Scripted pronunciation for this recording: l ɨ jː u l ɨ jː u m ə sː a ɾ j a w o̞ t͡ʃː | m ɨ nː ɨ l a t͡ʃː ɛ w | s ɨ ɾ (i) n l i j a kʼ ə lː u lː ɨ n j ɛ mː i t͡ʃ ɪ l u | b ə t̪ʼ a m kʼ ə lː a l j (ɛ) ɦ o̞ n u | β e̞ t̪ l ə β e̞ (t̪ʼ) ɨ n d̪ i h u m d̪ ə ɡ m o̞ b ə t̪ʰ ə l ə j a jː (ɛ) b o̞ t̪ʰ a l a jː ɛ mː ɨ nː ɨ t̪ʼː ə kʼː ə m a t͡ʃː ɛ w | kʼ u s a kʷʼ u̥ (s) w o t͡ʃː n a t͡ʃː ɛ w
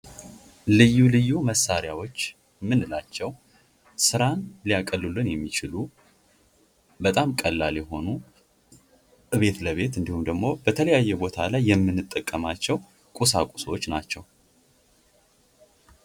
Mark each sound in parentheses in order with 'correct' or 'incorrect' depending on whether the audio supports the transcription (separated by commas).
incorrect, correct, incorrect, correct, correct